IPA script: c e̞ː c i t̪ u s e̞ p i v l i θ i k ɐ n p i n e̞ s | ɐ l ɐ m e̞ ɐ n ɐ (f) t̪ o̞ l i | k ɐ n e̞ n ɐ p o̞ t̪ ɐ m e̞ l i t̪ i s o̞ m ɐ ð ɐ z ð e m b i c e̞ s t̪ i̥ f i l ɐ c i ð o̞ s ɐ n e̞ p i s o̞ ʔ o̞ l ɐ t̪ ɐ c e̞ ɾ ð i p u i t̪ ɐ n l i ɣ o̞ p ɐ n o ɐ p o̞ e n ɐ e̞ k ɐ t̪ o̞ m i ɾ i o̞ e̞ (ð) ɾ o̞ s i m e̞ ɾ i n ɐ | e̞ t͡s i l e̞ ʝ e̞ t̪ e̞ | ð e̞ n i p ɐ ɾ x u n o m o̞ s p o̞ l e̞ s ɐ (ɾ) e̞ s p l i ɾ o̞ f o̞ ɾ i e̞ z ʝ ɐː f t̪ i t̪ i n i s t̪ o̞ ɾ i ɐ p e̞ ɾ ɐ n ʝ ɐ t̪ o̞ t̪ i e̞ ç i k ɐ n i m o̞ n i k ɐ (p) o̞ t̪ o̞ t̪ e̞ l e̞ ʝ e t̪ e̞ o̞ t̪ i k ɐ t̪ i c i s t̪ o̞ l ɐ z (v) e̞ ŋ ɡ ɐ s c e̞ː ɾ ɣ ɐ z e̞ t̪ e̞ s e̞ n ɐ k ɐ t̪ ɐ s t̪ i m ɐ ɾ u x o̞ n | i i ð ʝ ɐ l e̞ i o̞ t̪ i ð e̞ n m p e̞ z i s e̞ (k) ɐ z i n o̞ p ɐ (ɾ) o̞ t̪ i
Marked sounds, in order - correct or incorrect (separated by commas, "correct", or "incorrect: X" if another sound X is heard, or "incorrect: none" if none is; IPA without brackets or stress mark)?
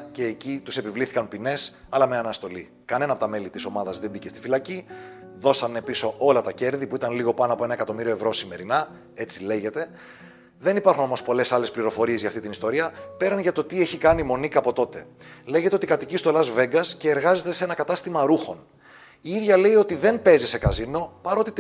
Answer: incorrect: s, incorrect: v, incorrect: l, correct, correct, correct, correct